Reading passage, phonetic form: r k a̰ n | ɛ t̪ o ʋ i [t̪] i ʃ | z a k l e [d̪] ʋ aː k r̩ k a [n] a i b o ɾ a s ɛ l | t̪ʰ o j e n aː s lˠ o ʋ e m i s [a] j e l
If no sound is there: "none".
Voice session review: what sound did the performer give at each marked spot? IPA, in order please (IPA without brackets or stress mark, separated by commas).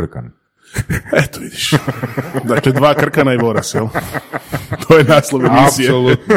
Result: d̪, d̪, n, i